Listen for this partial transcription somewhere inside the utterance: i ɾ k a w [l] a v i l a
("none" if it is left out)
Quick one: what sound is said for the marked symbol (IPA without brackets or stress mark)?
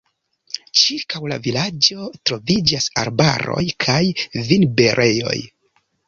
l